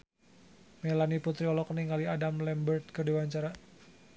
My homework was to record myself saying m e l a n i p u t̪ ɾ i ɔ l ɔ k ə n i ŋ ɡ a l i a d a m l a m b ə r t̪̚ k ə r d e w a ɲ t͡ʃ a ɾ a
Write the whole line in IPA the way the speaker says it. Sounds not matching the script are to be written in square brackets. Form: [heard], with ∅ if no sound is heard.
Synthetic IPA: m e l a n i p u t̪ ɾ i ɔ l ɔ k ə n i ŋ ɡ a l i a d a m l [ɛ] m b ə r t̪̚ k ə r d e w a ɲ t͡ʃ a ɾ a